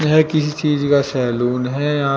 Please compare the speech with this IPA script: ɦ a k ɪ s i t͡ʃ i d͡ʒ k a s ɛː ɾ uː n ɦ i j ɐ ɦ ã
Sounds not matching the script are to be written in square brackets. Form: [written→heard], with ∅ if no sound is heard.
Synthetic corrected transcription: ɦ [a→ɛ] k ɪ s i t͡ʃ [i→iː] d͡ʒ k a s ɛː [ɾ→l] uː n ɦ [i→ɛ] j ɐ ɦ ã